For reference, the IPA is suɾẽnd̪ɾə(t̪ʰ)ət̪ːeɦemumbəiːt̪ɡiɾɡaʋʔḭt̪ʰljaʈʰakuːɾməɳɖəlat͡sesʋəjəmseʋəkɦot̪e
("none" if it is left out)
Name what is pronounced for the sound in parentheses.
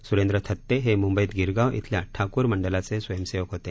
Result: t̪ʰ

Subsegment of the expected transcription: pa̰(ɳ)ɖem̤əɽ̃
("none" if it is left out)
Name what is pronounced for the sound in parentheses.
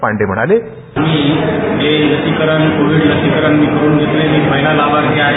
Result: ɳ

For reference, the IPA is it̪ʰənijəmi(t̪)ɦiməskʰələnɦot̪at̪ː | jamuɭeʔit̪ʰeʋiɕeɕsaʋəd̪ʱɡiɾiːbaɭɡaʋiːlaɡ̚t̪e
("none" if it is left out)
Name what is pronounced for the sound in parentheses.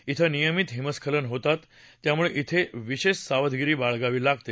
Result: t̪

